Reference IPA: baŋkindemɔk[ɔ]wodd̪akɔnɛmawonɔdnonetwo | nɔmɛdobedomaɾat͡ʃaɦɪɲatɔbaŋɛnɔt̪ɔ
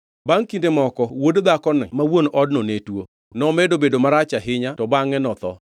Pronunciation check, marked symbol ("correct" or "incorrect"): correct